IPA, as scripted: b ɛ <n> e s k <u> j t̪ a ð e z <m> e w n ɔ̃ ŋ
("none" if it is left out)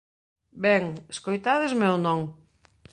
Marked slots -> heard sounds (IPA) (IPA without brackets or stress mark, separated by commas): ŋ, o, m